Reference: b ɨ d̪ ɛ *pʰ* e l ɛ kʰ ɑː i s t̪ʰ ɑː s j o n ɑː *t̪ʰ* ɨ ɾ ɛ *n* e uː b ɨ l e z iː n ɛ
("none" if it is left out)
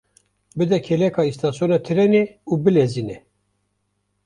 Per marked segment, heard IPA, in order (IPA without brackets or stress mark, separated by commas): kʰ, t̪ʰ, n